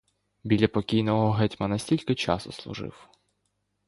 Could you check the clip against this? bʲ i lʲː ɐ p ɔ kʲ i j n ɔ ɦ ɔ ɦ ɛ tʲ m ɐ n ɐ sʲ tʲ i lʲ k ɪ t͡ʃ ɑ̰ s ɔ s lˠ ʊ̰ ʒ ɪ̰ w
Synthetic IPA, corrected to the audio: bʲ i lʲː ɐ p ɔ kʲ i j n ɔ ɦ ɔ ɦ ɛ tʲ m ɐ n ɐ sʲ tʲ i lʲ k ɪ t͡ʃ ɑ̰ s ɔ s lˠ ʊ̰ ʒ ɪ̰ w

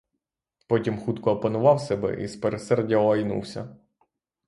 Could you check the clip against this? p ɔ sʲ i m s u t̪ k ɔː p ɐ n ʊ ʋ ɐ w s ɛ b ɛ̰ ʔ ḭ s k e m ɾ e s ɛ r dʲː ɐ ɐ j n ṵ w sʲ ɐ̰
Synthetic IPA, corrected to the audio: p ɔ tʲ i m x u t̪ k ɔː p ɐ n ʊ ʋ ɑ w s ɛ b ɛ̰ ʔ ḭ s p e ɾ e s ɛ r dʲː ɐ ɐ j n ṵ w sʲ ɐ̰

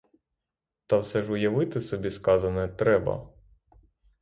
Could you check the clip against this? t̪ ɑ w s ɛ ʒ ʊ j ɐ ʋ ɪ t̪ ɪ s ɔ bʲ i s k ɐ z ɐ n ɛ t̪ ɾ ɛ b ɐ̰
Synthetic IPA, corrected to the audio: t̪ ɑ w s ɛ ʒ ʊ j ɐ ʋ ɪ t̪ ɪ s ɔ bʲ i s k ɑ z ɐ n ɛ t̪ ɾ ɛ b ɐ̰

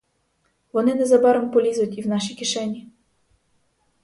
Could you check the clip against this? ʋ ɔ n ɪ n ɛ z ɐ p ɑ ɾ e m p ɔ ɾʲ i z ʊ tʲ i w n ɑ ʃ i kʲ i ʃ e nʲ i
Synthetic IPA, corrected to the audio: ʋ ɔ n ɪ n ɛ z ɐ b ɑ ɾ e m p ɔ lʲ i z ʊ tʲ i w n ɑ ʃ i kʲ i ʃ ɛ nʲ i

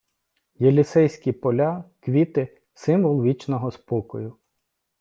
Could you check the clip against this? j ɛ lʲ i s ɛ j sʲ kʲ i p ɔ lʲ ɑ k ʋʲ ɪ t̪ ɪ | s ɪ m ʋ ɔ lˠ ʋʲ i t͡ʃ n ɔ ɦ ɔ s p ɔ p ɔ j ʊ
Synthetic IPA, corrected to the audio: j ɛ lʲ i s ɛ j sʲ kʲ i p ɔ lʲ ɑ k ʋʲ i t̪ ɪ | s ɪ m ʋ ɔ lˠ ʋʲ i t͡ʃ n ɔ ɦ ɔ s p ɔ k ɔ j ʊ

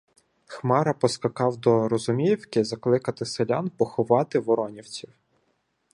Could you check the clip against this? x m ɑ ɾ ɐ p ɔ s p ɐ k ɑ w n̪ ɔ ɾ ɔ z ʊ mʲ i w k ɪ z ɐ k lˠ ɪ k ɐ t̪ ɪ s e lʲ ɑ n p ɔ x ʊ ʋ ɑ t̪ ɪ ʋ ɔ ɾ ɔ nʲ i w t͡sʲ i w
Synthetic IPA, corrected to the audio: x m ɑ ɾ ɐ p ɔ s k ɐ k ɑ w d̪ ɔ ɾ ɔ z ʊ mʲ i w k ɪ z ɐ k lˠ ɪ k ɐ t̪ ɪ s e lʲ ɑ n p ɔ x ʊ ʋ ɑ t̪ ɪ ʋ ɔ ɾ ɔ nʲ i w t͡sʲ i w

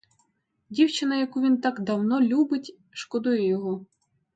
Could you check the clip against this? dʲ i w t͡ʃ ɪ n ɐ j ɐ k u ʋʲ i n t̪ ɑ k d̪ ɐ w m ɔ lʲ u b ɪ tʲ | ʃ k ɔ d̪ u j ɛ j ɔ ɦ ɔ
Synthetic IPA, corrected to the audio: dʲ i w t͡ʃ ɪ n ɐ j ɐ k u ʋʲ i n t̪ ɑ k d̪ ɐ w n ɔ lʲ u b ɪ tʲ | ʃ k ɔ d̪ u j ɛ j ɔ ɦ ɔ

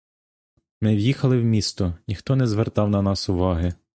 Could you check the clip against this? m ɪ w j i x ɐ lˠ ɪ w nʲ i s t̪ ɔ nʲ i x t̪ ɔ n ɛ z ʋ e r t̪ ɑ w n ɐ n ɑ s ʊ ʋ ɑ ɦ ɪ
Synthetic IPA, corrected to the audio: m ɪ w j i x ɐ lˠ ɪ w mʲ i s t̪ ɔ nʲ i x t̪ ɔ n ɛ z ʋ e r t̪ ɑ w n ɐ n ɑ s ʊ ʋ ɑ ɦ ɪ

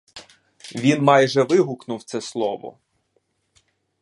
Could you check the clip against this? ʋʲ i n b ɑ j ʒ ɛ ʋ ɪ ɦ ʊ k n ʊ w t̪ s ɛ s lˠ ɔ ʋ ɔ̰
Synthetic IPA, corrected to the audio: ʋʲ i n m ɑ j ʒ ɛ ʋ ɪ ɦ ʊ k n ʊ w t̪ s ɛ s lˠ ɔ ʋ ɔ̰

